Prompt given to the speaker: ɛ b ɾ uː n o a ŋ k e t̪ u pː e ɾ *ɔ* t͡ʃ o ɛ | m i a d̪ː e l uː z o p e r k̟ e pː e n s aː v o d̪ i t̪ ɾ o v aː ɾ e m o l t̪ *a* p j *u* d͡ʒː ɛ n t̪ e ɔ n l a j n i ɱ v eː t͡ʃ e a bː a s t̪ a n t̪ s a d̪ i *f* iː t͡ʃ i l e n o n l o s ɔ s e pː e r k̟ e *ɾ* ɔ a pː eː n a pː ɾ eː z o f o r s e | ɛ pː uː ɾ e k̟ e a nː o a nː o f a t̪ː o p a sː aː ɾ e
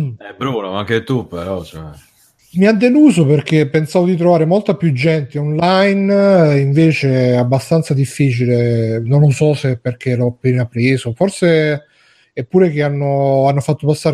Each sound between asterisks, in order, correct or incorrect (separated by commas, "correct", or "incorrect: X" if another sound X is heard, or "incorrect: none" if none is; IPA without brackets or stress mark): correct, correct, correct, incorrect: fː, incorrect: l